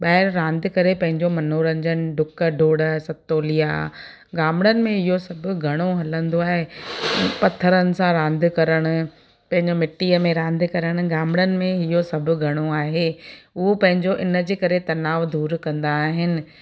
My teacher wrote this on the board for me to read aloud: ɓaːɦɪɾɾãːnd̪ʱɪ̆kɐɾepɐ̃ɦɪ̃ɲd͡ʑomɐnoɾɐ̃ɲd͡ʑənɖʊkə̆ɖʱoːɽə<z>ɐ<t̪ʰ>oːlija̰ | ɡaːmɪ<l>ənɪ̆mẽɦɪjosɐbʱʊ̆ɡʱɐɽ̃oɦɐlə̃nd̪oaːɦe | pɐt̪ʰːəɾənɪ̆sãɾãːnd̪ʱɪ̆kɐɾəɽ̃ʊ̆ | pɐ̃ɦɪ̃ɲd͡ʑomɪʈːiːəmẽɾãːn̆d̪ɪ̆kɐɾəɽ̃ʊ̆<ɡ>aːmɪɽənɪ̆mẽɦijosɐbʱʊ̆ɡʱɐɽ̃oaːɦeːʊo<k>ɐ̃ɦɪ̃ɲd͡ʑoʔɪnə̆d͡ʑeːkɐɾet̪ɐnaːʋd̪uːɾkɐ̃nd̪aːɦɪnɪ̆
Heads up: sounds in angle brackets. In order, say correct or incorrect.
incorrect, incorrect, incorrect, correct, incorrect

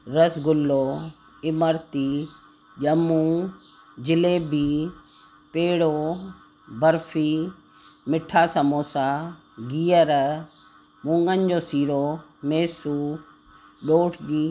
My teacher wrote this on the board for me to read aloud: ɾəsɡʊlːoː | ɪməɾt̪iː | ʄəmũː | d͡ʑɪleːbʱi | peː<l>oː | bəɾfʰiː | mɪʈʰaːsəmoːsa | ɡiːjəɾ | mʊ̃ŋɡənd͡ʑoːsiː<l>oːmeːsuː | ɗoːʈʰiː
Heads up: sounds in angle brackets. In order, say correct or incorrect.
incorrect, incorrect

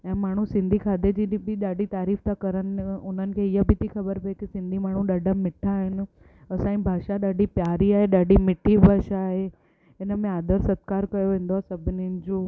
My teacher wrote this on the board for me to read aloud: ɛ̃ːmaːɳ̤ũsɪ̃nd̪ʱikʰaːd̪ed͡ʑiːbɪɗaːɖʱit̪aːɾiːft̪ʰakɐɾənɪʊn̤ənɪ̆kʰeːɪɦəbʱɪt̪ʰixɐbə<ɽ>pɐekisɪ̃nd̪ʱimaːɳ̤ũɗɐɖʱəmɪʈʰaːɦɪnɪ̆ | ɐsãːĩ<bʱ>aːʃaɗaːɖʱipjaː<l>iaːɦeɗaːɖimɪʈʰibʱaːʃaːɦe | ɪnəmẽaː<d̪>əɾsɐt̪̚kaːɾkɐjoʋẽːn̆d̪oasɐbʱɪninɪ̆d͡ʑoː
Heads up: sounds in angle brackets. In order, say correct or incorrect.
incorrect, correct, incorrect, correct

